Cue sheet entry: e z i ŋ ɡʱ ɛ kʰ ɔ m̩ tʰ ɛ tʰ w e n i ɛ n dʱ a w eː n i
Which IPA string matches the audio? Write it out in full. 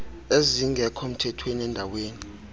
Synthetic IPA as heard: e z i ŋ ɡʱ ɛ kʰ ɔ m̩ tʰ ɛ tʰ w e n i ɛ n dʱ a w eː n i